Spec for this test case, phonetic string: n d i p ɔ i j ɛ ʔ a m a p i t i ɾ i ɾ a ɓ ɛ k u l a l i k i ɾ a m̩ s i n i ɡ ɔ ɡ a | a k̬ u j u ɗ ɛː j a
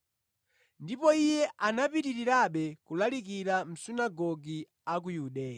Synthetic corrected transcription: n d i p ɔ i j ɛ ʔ a n a p i t i ɾ i ɾ a ɓ ɛ k u l a l i k i ɾ a m̩ s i n a ɡ ɔ ɡ i | a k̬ u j u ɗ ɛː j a